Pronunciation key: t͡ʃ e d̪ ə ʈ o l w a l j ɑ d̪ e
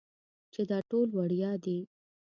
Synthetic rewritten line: t͡ʃ e d̪ ɑ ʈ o l w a ɽ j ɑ d̪ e